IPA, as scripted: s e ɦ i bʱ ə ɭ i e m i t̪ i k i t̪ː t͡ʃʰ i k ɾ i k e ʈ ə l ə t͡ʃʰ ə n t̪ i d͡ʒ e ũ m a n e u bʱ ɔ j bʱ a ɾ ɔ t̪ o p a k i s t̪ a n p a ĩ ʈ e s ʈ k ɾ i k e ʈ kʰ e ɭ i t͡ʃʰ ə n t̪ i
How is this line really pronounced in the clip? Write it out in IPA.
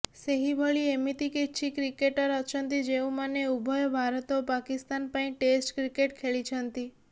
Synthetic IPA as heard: s e ɦ i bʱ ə ɭ i e m i t̪ i k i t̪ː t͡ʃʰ i k ɾ i k e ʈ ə ɾ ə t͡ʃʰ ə n t̪ i d͡ʒ e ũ m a n e u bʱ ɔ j bʱ a ɾ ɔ t̪ o p a k i s t̪ a n p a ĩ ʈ e s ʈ k ɾ i k e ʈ kʰ e ɭ i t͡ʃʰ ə n t̪ i